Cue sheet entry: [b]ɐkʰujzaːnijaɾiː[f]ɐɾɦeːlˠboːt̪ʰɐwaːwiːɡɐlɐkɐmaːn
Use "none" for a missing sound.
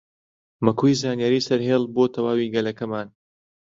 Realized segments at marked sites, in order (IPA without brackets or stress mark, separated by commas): m, s